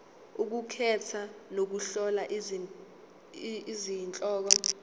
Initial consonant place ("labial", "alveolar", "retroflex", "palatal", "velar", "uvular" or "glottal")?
velar